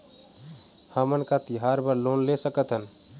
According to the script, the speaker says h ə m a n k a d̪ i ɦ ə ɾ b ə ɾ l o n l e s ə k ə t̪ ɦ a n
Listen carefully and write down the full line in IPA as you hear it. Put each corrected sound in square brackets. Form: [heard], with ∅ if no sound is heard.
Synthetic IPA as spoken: h ə m [ə] n k a [t̪] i ɦ [a] ɾ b ə ɾ l o n l e s ə k ə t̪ ɦ [ə] n